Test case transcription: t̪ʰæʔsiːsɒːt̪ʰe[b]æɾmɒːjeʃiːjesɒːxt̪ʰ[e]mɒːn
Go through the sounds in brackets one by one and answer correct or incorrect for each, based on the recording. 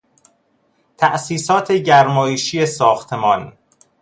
incorrect, correct

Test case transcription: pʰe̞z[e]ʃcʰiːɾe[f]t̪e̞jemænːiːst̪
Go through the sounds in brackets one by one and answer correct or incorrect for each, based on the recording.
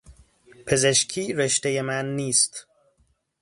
correct, incorrect

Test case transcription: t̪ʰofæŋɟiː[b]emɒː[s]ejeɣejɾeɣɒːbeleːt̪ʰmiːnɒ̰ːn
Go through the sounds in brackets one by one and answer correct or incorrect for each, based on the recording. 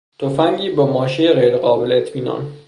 correct, incorrect

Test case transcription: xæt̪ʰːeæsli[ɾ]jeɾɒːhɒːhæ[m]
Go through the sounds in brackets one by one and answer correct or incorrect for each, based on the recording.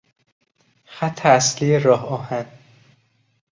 incorrect, incorrect

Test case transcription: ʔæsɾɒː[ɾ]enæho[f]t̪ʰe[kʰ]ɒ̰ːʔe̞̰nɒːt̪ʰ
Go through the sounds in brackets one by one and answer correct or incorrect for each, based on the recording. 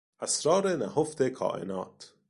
correct, correct, correct

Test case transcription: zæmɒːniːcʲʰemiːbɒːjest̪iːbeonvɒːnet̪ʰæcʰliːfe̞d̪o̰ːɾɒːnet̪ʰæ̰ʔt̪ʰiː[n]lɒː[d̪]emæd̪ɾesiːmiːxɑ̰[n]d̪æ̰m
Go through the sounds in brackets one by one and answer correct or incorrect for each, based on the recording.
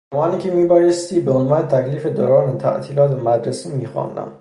incorrect, incorrect, correct

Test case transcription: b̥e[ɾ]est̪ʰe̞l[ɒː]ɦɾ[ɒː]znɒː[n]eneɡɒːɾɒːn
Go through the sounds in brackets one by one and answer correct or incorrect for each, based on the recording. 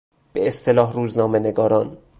incorrect, correct, incorrect, incorrect

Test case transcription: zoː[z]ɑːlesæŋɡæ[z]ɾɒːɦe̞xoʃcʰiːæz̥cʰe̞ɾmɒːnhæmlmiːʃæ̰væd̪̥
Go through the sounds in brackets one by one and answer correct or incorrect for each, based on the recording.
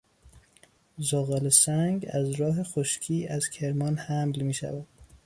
incorrect, correct

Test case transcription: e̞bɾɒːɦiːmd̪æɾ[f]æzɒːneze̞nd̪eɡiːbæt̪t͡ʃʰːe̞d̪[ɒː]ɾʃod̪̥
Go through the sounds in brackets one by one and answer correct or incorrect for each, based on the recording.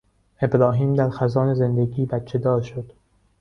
incorrect, correct

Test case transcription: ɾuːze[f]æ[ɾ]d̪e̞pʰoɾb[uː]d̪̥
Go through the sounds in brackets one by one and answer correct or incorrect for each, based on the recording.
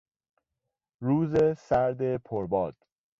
incorrect, correct, incorrect

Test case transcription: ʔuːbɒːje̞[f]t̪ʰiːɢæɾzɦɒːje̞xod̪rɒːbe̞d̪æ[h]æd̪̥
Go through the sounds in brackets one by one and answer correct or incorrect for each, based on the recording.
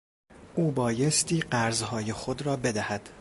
incorrect, correct

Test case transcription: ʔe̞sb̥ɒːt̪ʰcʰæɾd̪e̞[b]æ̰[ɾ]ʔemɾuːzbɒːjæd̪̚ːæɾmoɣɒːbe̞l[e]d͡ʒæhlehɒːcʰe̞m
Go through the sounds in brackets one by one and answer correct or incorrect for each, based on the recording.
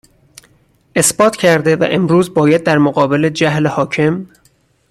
incorrect, incorrect, correct

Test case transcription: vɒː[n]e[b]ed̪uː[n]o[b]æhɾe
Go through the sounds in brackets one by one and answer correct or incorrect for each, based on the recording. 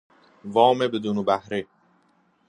incorrect, correct, correct, correct

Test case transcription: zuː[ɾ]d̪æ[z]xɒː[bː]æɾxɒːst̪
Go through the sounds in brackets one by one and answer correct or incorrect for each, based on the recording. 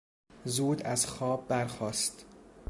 incorrect, correct, correct

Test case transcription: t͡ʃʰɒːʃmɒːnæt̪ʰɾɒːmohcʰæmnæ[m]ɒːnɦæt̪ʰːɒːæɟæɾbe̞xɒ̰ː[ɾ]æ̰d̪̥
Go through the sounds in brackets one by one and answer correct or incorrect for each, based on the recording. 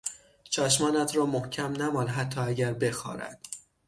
correct, correct

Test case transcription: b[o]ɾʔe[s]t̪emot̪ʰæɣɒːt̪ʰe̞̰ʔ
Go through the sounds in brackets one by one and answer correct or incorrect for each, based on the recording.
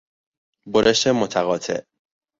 correct, incorrect

